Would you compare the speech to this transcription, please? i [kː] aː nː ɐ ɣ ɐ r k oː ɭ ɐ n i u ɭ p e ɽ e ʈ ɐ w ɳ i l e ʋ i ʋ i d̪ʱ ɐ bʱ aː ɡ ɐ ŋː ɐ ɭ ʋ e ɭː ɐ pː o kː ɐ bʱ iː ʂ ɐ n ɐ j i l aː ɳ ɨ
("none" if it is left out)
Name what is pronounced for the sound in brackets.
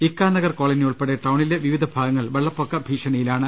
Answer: kː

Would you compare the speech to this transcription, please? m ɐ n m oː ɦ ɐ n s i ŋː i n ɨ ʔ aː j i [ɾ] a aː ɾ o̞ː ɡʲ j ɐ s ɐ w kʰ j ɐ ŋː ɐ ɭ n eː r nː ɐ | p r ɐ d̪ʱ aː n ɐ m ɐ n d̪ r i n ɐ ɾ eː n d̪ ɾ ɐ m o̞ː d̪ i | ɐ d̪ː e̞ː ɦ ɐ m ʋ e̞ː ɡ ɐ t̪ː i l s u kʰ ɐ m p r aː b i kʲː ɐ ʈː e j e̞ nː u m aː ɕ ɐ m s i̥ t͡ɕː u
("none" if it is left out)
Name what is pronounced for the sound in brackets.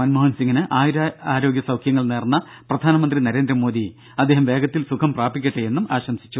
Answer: ɾ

